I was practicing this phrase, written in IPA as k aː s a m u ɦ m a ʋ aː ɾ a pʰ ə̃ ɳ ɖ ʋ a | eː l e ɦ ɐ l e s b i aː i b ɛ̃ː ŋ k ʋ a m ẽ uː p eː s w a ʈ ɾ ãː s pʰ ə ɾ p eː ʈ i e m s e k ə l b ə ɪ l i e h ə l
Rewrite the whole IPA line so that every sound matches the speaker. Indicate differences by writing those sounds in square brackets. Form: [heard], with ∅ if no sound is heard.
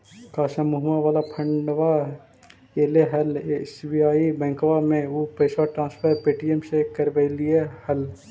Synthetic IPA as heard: k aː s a m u ɦ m a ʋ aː [l] a pʰ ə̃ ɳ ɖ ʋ a | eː l e ɦ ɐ l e s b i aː i b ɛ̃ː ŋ k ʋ a m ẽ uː p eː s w a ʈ ɾ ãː s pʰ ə ɾ p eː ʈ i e m s e k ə [ɾ] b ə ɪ l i e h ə l